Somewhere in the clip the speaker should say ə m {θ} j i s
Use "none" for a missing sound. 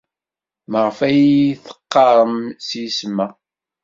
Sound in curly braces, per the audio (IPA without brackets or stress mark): s